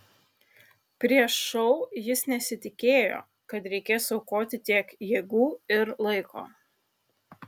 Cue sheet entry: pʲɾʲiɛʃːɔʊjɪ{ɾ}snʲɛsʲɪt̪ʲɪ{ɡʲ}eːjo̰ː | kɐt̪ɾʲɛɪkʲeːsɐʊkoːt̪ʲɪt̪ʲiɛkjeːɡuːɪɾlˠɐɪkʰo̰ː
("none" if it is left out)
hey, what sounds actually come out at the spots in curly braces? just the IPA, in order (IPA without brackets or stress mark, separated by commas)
none, kʲ